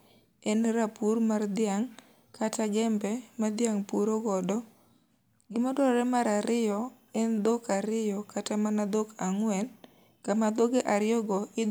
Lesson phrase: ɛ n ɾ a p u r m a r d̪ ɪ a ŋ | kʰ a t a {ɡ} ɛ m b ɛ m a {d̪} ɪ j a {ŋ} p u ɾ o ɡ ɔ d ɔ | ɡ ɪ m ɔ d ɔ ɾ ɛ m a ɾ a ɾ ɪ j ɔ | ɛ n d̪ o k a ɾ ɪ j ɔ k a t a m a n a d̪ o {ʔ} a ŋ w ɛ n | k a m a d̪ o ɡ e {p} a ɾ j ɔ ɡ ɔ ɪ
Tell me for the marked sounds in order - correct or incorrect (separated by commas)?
correct, correct, correct, incorrect, incorrect